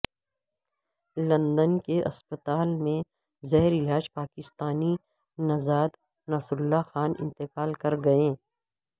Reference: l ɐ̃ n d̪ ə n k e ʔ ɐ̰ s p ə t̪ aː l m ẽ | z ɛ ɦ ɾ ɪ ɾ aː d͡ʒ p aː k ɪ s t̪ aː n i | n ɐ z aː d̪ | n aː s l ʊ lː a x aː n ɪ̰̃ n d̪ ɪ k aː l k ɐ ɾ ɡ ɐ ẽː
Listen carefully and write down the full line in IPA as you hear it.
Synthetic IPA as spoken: l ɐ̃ n d̪ ə n k e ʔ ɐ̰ s p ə t̪ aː l m ẽ | z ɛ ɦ ɾ ɪ l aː d͡ʒ p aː k ɪ s t̪ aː n i | n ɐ z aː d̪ | n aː s ɾ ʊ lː a x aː n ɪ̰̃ n t̪ ɪ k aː l k ɐ ɾ ɡ ɐ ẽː